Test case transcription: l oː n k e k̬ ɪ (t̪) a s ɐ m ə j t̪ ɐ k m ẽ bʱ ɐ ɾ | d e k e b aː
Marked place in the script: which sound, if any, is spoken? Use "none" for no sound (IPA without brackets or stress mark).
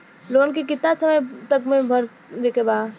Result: t̪